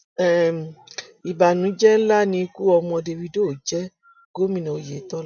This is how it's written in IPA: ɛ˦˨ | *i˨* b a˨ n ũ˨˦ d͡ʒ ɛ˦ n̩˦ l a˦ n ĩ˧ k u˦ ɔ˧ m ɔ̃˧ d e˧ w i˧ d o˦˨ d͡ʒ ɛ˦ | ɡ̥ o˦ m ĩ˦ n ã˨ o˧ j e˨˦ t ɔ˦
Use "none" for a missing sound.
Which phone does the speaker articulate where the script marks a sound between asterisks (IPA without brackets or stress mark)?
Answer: i˨